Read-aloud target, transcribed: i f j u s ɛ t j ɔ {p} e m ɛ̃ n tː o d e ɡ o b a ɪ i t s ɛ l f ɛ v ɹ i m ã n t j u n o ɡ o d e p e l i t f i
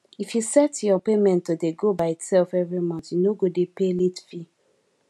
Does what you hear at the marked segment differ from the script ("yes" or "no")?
no